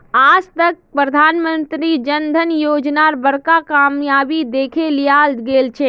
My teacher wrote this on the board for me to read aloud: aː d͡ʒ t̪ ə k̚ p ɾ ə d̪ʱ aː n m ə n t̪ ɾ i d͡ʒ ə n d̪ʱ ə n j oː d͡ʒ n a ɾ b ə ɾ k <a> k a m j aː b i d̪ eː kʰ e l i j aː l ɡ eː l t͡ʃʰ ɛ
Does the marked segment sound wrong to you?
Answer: no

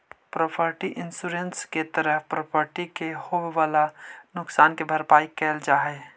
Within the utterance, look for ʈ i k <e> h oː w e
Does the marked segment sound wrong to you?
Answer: no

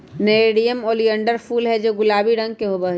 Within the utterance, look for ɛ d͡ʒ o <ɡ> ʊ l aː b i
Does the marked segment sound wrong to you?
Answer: no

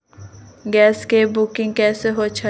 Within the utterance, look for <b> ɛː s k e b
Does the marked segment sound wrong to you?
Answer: yes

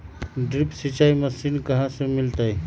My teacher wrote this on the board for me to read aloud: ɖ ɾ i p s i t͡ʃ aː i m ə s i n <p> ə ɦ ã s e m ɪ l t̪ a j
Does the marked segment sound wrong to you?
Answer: yes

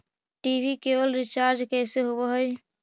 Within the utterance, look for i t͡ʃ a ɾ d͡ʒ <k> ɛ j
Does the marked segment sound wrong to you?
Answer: no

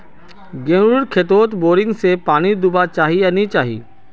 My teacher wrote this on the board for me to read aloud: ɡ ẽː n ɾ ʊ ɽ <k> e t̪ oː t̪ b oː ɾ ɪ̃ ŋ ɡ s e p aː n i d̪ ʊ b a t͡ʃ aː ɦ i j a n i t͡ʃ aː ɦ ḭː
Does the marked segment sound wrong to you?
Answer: yes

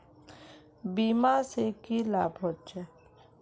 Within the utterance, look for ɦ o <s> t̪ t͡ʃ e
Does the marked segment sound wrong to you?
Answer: yes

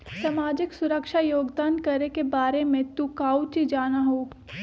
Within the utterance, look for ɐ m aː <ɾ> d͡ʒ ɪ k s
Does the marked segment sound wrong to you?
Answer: yes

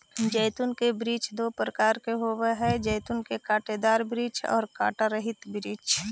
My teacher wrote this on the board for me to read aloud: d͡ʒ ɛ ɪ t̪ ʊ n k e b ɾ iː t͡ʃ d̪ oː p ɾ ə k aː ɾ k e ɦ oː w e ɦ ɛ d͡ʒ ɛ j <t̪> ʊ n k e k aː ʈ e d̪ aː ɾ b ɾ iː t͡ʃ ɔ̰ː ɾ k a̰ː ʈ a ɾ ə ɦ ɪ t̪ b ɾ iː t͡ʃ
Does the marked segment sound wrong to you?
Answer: no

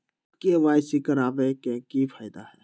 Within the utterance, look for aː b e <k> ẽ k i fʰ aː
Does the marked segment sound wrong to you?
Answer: no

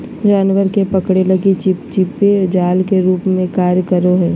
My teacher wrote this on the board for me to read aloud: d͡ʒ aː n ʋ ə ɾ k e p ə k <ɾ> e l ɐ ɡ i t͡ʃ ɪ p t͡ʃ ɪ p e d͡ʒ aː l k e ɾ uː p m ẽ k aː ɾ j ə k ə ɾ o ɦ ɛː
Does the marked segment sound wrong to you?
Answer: yes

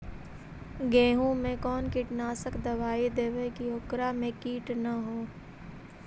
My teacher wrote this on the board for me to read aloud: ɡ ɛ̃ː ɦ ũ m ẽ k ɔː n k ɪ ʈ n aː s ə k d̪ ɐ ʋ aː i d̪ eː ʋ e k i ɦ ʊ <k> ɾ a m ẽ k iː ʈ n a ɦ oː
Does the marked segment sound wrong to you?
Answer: no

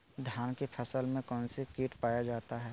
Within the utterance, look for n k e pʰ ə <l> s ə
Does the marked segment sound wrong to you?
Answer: yes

